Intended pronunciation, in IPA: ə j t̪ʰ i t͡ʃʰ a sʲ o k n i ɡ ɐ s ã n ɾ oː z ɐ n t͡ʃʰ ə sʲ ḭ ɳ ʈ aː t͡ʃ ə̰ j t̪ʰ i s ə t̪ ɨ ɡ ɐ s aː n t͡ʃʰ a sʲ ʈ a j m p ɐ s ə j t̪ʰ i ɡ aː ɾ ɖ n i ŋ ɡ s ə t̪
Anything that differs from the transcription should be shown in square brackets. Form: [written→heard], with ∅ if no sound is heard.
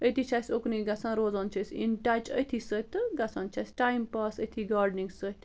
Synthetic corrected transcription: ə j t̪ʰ i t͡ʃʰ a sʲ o k n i ɡ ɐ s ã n ɾ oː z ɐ n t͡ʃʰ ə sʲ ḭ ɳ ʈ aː t͡ʃ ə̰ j t̪ʰ i s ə t̪ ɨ ɡ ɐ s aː n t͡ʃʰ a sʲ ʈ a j m p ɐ s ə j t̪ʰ i ɡ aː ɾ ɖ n i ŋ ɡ s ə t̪